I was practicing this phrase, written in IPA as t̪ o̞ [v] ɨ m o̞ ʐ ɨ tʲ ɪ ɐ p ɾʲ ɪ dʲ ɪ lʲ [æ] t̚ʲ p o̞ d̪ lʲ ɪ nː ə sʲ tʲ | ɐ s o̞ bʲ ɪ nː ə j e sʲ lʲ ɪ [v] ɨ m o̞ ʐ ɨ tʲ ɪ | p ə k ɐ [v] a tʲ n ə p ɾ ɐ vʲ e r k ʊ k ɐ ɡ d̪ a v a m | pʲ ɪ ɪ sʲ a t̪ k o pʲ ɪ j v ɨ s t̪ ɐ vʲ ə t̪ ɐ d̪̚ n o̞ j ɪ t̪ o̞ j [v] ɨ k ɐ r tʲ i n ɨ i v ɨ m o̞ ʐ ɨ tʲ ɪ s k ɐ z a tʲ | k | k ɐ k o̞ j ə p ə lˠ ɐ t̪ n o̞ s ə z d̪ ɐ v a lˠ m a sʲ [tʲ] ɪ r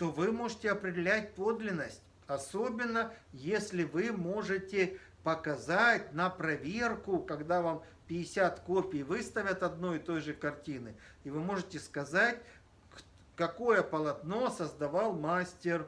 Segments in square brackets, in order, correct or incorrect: correct, correct, correct, incorrect: z, incorrect: ʐ, correct

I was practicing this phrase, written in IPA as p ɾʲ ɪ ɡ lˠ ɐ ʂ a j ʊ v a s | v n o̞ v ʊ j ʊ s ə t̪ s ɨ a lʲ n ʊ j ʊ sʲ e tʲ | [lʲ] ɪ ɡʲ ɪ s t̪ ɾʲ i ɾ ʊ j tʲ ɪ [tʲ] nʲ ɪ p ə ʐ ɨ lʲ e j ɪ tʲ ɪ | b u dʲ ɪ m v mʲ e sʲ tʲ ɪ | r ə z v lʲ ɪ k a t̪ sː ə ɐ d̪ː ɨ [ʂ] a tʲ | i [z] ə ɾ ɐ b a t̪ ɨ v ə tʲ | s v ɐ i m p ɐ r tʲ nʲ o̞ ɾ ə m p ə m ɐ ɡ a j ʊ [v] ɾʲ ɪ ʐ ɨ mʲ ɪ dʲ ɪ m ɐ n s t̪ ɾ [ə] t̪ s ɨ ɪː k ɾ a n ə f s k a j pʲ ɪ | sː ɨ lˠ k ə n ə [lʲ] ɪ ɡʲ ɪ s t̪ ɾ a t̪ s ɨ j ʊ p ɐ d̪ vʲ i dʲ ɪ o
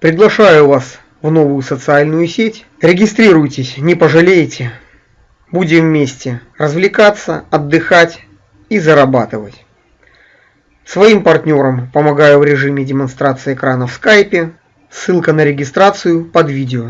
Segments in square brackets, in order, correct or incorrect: incorrect: ɾʲ, incorrect: sʲ, incorrect: x, correct, correct, incorrect: a, incorrect: ɾʲ

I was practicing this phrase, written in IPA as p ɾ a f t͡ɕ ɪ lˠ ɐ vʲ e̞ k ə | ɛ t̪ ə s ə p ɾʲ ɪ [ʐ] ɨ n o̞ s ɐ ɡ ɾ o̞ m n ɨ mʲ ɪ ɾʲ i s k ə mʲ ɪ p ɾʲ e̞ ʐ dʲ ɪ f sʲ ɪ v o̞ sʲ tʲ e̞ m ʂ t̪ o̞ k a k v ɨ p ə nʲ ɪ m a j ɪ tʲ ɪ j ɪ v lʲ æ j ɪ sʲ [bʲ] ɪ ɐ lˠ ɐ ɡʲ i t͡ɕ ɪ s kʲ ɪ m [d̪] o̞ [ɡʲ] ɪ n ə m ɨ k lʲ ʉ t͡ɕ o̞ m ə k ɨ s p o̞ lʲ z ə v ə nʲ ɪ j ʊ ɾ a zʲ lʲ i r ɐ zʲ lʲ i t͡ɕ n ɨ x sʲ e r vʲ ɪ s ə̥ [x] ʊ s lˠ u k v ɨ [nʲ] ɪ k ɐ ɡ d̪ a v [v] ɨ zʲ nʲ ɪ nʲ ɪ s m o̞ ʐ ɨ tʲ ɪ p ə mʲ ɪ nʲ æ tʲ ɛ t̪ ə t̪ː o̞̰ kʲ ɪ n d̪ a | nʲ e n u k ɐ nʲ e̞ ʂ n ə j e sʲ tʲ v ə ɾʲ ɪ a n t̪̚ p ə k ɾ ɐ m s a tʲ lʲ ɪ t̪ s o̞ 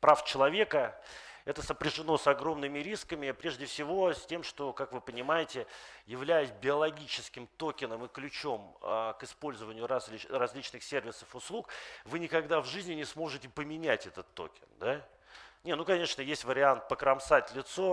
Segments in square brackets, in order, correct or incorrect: correct, correct, incorrect: t̪, incorrect: kʲ, incorrect: f, correct, incorrect: ʐ

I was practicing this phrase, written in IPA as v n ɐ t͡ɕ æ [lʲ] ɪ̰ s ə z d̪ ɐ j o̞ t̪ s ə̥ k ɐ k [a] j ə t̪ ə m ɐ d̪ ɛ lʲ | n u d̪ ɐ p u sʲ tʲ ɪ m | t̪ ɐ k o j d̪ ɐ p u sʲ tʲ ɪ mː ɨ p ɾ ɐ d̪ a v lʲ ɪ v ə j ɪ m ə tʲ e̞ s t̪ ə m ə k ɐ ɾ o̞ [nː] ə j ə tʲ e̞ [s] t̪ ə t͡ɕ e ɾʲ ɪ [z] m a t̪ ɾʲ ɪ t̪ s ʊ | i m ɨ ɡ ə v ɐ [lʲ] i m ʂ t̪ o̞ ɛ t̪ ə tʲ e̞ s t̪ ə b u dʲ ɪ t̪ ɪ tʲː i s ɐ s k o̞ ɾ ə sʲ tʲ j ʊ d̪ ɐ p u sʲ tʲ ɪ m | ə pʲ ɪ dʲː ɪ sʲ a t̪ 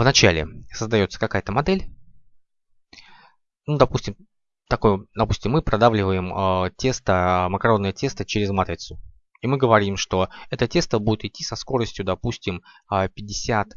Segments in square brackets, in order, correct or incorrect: correct, correct, correct, correct, correct, incorrect: ɾʲ

